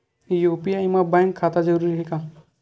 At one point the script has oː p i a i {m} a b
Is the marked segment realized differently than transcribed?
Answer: no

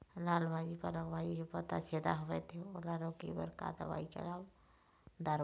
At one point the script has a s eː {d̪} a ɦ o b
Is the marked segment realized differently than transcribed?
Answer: no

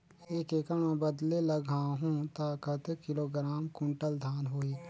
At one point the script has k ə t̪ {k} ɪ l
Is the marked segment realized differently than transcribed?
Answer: no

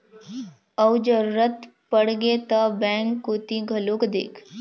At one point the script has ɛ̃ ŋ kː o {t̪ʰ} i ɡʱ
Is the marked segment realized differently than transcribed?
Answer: yes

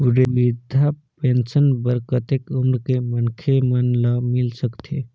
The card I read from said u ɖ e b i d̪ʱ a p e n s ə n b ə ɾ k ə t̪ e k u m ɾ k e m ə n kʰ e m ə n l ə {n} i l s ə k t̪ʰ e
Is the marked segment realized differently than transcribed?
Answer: yes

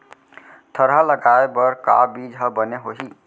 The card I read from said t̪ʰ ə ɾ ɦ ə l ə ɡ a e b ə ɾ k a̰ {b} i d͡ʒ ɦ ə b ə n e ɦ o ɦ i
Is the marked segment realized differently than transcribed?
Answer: no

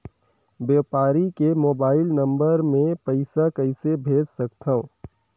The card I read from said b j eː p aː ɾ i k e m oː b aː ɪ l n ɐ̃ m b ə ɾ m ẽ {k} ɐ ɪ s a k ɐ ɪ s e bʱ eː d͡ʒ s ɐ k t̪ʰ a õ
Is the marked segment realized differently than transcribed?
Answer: yes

